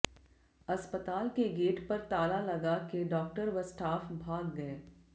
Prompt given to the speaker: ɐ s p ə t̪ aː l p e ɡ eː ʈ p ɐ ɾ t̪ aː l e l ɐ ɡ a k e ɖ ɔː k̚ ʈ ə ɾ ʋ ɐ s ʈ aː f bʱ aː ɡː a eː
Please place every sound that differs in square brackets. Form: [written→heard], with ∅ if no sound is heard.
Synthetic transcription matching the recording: ɐ s p ə t̪ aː l [p→k] e ɡ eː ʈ p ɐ ɾ t̪ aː l [e→a] l ɐ ɡ a k e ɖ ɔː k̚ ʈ ə ɾ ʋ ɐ s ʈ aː f bʱ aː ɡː [a→ɐ] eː